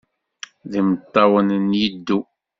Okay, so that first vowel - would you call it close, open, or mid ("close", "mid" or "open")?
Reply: close